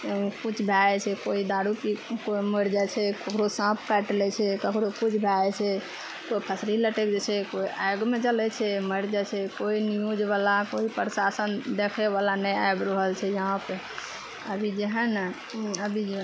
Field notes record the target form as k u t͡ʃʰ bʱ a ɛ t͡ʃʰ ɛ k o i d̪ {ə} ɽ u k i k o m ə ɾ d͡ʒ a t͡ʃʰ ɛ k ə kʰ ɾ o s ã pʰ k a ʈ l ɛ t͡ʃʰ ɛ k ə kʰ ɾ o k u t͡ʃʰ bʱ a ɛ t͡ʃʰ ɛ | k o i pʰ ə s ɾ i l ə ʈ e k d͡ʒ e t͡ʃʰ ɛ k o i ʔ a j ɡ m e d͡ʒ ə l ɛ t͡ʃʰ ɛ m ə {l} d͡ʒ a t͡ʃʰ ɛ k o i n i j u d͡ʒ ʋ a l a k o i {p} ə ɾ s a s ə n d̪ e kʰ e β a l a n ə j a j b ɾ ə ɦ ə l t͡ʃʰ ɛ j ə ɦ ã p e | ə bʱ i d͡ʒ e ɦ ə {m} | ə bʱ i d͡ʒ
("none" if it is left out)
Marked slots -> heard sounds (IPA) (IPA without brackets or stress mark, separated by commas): a, ɾ, p, n